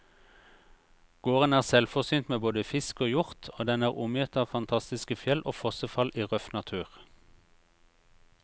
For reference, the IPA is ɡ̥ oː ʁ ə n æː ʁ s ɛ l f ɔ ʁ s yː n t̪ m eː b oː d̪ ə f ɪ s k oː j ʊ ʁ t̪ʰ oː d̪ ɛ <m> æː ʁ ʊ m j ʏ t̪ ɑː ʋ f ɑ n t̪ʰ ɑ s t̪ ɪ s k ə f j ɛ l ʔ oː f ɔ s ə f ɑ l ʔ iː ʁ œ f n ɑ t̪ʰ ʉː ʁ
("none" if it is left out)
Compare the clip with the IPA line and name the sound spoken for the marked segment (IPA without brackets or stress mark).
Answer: n